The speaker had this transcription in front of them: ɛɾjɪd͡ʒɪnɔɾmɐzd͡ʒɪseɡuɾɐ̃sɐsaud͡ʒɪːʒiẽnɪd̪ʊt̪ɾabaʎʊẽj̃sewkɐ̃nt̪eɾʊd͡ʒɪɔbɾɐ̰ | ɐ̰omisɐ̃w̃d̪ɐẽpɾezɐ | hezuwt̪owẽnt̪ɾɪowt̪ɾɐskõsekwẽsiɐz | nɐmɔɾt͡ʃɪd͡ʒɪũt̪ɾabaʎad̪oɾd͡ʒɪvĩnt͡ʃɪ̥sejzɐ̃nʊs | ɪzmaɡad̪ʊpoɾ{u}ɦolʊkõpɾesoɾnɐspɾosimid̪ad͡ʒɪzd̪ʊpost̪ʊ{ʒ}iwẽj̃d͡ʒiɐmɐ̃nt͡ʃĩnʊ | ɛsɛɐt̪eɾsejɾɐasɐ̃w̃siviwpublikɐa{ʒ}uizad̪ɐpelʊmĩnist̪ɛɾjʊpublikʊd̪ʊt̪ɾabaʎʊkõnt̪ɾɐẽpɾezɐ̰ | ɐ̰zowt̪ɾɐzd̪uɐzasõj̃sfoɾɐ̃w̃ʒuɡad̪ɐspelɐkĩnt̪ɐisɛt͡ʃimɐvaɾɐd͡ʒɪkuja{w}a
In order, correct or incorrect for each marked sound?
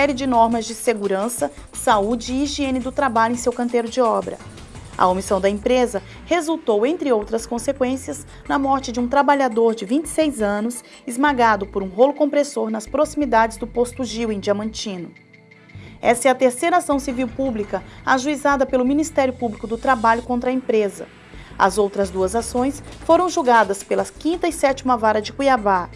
incorrect: ũ, correct, correct, incorrect: v

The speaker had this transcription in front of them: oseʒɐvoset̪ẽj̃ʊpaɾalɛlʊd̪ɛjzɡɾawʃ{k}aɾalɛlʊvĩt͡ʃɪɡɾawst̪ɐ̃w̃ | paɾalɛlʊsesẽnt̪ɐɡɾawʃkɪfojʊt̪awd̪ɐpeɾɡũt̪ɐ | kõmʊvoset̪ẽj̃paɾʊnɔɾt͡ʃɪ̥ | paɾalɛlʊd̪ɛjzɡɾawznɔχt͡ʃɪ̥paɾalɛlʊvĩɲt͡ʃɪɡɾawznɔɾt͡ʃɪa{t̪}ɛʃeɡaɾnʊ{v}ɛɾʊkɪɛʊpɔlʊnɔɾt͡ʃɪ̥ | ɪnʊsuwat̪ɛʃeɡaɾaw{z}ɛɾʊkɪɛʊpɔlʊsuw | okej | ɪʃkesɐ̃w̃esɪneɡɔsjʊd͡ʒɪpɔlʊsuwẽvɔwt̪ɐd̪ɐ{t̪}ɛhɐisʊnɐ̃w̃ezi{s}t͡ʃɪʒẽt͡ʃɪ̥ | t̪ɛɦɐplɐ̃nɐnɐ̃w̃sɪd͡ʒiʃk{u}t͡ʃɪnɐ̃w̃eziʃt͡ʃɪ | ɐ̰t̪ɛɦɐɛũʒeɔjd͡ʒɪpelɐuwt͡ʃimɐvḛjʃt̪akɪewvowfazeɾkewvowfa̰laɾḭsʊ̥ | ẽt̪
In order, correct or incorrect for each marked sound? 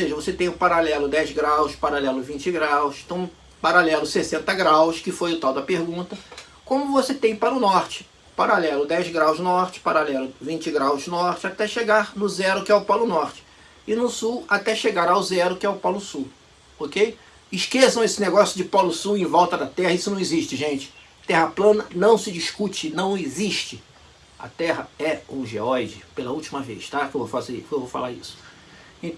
incorrect: p, correct, incorrect: z, correct, correct, incorrect: ʃ, correct

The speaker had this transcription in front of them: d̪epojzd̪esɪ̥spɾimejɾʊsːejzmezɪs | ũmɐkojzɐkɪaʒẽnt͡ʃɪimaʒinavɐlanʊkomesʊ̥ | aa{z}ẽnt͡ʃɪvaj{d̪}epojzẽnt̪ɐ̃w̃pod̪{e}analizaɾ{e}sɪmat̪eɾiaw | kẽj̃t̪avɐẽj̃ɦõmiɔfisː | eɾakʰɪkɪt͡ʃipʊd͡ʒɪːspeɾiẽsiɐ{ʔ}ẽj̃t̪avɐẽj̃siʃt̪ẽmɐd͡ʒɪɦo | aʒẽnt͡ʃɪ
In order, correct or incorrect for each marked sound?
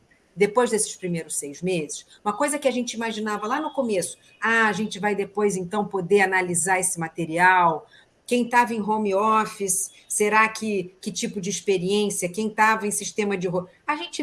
incorrect: ʒ, correct, correct, correct, incorrect: k

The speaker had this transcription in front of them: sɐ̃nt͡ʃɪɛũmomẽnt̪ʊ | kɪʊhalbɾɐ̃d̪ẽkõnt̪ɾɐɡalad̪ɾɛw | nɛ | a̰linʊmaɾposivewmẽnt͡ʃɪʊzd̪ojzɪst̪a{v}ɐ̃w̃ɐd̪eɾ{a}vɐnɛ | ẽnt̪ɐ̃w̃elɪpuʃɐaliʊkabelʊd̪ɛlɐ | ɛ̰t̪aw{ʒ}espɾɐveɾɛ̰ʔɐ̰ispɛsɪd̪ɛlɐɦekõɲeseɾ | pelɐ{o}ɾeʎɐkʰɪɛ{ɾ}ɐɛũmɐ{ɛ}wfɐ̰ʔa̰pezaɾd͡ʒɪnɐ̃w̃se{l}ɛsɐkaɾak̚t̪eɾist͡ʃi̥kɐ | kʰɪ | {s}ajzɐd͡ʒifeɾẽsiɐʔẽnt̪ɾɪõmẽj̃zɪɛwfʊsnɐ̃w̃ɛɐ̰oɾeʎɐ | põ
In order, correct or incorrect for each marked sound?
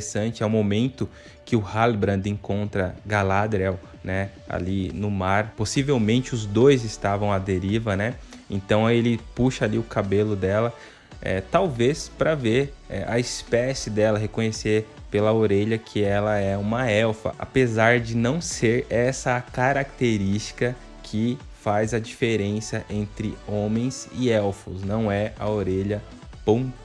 correct, incorrect: i, incorrect: v, correct, incorrect: l, correct, incorrect: ɾ, incorrect: f

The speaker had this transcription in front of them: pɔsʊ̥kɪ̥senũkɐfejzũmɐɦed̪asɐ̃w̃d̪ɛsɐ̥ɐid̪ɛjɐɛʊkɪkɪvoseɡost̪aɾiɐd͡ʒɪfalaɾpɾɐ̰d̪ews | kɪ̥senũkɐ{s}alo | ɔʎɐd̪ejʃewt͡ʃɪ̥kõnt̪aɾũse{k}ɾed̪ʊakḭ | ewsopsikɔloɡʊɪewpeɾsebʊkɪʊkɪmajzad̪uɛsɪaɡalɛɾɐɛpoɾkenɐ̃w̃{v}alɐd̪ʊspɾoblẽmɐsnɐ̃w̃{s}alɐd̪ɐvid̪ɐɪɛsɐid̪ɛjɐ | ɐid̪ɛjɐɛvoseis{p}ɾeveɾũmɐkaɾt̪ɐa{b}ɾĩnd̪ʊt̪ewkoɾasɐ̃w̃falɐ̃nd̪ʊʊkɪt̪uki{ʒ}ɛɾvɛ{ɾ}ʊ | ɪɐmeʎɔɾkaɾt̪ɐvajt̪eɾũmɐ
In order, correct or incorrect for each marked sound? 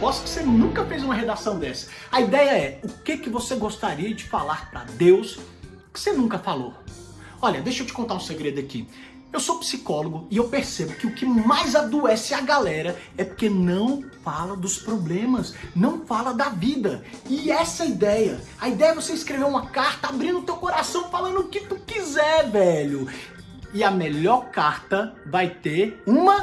incorrect: f, incorrect: ɡ, incorrect: f, incorrect: f, incorrect: k, correct, incorrect: z, incorrect: ʎ

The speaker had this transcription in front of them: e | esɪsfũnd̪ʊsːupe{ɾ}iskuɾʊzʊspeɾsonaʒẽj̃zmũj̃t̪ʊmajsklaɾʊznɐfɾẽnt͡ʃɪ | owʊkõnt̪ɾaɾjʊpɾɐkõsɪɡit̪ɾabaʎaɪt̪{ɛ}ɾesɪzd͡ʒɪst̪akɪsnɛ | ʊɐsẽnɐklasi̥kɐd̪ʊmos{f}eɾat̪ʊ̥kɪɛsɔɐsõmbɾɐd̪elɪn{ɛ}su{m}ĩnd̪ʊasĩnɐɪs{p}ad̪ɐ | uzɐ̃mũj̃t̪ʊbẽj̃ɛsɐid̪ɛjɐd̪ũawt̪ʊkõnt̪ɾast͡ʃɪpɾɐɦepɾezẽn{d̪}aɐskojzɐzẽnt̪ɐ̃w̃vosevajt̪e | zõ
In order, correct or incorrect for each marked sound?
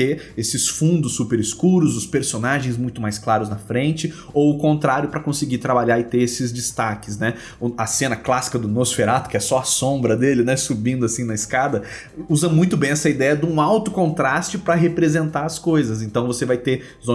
correct, incorrect: e, correct, correct, incorrect: b, incorrect: k, incorrect: t̪

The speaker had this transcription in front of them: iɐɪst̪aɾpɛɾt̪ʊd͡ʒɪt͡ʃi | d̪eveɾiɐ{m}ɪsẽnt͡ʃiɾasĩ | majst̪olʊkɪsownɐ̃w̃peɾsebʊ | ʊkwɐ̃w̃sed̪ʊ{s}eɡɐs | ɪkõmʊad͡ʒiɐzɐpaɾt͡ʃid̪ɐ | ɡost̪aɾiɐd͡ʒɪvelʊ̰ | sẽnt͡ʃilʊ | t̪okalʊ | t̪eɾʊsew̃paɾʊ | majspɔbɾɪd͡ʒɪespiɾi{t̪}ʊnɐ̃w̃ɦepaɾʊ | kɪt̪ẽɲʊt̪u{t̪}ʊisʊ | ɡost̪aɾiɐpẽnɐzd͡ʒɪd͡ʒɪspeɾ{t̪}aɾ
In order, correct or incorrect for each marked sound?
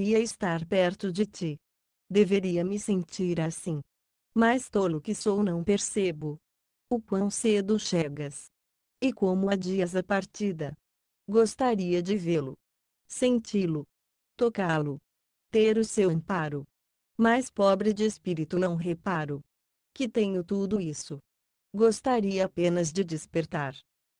correct, incorrect: ʃ, correct, incorrect: d̪, correct

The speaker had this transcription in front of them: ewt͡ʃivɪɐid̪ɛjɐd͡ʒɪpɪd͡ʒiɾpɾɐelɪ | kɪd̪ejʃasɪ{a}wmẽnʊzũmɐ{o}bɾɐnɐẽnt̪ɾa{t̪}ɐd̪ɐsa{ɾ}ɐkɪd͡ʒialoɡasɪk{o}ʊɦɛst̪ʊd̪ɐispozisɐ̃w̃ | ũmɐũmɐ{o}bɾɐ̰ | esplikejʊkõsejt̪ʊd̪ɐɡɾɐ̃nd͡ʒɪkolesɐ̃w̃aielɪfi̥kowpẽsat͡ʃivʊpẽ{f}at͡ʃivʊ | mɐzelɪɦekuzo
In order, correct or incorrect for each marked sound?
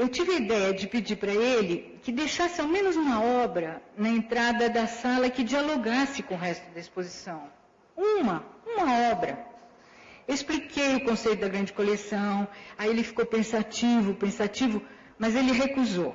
correct, incorrect: ɔ, incorrect: d̪, incorrect: l, incorrect: õ, incorrect: ɔ, incorrect: s

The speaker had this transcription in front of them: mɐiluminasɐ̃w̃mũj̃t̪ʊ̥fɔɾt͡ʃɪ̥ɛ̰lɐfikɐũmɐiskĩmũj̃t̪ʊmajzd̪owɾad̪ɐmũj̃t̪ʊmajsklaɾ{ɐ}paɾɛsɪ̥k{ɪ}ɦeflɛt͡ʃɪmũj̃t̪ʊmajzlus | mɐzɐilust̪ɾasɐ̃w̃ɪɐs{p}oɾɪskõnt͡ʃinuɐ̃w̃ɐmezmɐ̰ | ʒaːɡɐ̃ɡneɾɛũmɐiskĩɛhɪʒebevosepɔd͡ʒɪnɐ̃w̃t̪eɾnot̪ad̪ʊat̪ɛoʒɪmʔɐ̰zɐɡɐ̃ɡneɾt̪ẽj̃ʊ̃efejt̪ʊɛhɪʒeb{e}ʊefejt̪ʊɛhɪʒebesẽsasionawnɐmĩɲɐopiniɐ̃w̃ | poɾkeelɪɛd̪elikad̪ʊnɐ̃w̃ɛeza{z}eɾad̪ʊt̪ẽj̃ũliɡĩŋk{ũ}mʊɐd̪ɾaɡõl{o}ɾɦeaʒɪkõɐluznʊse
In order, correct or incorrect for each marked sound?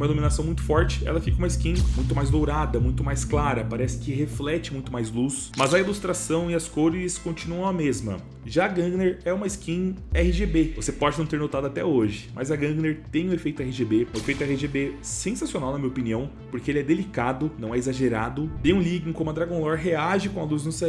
correct, correct, incorrect: k, correct, incorrect: ʒ, incorrect: õ, incorrect: ɔ

